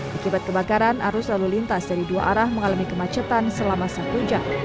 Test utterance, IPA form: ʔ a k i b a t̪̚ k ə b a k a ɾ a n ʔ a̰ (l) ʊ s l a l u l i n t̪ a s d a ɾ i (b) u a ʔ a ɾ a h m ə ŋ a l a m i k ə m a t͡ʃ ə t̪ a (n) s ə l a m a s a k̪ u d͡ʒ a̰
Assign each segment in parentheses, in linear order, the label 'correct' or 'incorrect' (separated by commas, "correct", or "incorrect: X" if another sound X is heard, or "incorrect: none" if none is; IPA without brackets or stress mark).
incorrect: ɾ, incorrect: d, correct